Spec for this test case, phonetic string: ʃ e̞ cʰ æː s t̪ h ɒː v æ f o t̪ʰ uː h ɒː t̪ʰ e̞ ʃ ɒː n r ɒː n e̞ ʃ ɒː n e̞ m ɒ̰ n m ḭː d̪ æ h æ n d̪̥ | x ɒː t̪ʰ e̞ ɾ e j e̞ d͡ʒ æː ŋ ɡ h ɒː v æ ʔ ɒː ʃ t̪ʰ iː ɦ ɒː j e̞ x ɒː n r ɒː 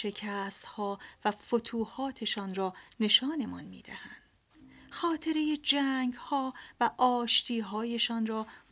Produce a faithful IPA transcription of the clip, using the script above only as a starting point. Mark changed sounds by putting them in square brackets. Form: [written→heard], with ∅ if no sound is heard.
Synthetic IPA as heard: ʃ e̞ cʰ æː s t̪ h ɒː v æ f o t̪ʰ uː h ɒː t̪ʰ e̞ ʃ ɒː n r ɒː n e̞ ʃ ɒː n e̞ m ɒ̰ n m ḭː d̪ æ h æ n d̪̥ | x ɒː t̪ʰ e̞ ɾ e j e̞ d͡ʒ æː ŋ ɡ h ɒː v æ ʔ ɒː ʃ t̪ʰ iː ɦ ɒː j e̞ [x→ʃ] ɒː n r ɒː